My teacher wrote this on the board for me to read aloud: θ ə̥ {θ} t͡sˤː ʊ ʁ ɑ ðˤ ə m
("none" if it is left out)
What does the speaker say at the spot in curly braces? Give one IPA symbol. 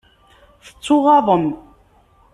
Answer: none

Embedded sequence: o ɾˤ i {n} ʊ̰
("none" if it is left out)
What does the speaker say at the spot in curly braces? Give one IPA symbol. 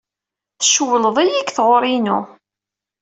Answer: n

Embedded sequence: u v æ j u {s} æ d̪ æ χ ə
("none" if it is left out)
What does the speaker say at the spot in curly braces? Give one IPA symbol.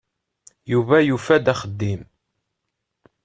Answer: f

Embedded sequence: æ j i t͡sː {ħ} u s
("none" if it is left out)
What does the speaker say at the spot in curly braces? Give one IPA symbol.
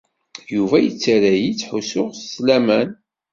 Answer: ħ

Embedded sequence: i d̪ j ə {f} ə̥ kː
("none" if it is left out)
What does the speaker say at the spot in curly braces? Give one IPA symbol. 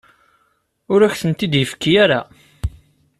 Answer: f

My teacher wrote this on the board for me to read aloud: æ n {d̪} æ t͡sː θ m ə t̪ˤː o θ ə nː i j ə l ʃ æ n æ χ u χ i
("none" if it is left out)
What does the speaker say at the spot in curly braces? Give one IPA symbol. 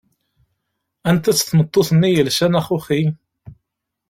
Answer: t̪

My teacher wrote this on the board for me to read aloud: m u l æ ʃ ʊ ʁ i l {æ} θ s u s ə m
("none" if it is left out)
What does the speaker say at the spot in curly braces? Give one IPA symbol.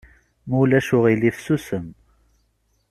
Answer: i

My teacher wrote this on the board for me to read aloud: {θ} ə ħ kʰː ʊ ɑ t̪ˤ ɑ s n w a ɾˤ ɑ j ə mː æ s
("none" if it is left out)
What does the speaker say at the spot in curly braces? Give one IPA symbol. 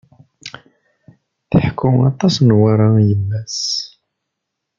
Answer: θ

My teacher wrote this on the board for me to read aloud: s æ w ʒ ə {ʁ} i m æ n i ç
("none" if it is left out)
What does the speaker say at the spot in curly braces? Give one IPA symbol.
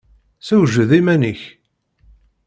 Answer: ð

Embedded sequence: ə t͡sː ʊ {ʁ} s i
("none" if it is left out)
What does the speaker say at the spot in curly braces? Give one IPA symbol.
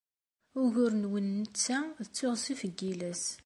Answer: ʁ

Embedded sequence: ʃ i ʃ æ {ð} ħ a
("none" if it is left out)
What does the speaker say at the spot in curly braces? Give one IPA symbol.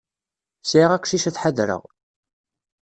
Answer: θ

